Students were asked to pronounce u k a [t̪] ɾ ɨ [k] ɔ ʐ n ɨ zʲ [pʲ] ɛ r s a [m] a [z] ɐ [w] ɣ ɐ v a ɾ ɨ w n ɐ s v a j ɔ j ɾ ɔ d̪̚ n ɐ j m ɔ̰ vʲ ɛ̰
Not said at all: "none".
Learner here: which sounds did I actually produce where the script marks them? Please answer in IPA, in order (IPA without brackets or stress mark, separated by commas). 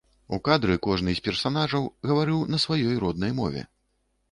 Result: d̪, k, pʲ, n, ʐ, w